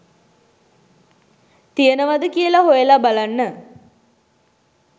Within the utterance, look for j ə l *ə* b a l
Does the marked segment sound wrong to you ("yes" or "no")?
yes